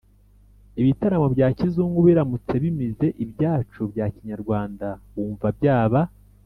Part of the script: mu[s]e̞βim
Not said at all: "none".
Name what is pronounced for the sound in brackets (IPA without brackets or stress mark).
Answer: t͡s